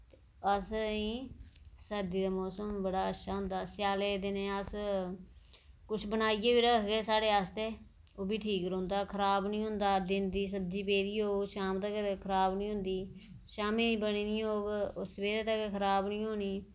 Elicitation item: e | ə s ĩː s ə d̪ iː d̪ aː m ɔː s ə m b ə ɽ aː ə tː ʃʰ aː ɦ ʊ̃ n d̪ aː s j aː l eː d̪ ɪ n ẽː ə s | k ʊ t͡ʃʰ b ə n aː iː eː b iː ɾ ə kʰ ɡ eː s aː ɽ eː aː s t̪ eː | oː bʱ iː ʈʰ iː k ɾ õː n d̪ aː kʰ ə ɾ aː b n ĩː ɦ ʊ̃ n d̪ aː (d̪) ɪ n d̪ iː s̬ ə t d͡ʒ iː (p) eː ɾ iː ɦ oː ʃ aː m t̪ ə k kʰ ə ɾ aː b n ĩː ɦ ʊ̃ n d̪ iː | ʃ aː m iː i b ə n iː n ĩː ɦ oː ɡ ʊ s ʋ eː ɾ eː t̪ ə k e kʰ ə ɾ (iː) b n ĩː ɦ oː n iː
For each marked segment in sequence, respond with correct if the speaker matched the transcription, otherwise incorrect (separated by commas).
correct, correct, incorrect